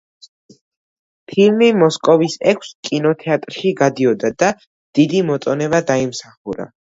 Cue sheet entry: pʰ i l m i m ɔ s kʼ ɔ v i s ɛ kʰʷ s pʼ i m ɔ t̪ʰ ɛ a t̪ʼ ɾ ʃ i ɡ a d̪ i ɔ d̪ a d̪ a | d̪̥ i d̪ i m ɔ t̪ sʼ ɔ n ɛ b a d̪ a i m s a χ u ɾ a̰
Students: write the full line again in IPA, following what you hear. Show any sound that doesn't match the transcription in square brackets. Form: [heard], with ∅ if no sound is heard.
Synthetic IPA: pʰ i l m i m ɔ s kʼ ɔ v i s ɛ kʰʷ s [kʼ] i [n] ɔ t̪ʰ ɛ a t̪ʼ ɾ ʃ i ɡ a d̪ i ɔ d̪ a d̪ a | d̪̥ i d̪ i m ɔ t̪ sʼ ɔ n ɛ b a d̪ a i m s a χ u ɾ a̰

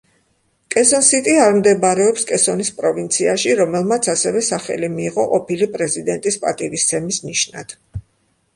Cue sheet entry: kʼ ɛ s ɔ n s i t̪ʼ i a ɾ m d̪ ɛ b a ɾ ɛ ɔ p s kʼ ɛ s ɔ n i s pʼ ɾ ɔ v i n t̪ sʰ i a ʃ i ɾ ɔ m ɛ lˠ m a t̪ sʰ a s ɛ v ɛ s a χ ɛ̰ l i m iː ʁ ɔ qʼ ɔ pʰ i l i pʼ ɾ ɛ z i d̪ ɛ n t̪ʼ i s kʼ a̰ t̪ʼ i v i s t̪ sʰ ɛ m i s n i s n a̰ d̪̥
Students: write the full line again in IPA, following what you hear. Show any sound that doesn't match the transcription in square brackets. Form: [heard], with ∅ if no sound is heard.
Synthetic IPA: kʼ ɛ s ɔ n s i t̪ʼ i a ɾ m d̪ ɛ b a ɾ ɛ ɔ p s kʼ ɛ s ɔ n i s pʼ ɾ ɔ v i n t̪ sʰ i a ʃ i ɾ ɔ m ɛ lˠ m a t̪ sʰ a s ɛ v ɛ s a χ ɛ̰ l i m iː ʁ ɔ qʼ ɔ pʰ i l i pʼ ɾ ɛ z i d̪ ɛ n t̪ʼ i s [pʼ] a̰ t̪ʼ i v i s t̪ sʰ ɛ m i s n i [ʃ] n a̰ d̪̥

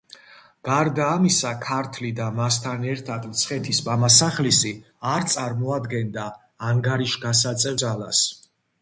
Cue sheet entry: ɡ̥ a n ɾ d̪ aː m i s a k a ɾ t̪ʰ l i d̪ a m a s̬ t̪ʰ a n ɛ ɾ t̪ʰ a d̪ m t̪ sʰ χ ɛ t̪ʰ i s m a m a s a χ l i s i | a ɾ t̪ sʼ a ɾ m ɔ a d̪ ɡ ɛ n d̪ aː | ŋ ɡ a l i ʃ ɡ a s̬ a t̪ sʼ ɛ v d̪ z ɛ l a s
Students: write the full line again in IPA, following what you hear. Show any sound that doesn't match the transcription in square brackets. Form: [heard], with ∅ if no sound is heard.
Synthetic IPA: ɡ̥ a [∅] ɾ d̪ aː m i s a [kʰ] a ɾ t̪ʰ l i d̪ a m a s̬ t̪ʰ a n ɛ ɾ t̪ʰ a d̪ m t̪ sʰ χ ɛ t̪ʰ i s m a m a s a χ l i s i | a ɾ t̪ sʼ a ɾ m ɔ a d̪ ɡ ɛ n d̪ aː | ŋ ɡ a [ɾ] i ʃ ɡ a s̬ a t̪ sʼ ɛ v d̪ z [a] l a s

